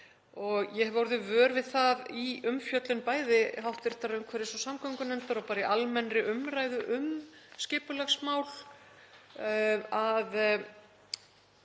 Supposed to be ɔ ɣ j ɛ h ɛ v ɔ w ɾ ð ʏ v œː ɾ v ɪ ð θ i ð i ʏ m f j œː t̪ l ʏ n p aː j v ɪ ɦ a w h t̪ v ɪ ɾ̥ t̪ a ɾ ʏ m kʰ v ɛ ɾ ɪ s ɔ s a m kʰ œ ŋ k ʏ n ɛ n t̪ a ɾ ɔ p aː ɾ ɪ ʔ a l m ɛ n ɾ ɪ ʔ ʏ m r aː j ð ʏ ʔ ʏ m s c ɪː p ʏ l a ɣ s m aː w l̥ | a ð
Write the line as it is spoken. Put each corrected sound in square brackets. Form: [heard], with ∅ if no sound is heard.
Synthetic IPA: ɔ ɣ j ɛ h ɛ v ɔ w ɾ ð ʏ v œː ɾ v ɪ ð θ [a] ð i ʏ m f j [œ] t̪ l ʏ n p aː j [ð] ɪ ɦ a w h t̪ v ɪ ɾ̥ t̪ a ɾ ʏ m kʰ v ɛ ɾ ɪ s ɔ s a m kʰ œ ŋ k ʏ n ɛ n t̪ a ɾ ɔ p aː ɾ ɪ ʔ a l m ɛ n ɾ ɪ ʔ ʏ m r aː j ð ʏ ʔ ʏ m s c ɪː p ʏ l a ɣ s m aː w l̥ | a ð